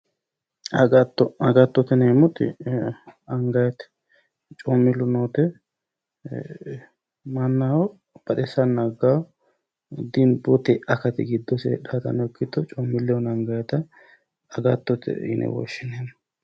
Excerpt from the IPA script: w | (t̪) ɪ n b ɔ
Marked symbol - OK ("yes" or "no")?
no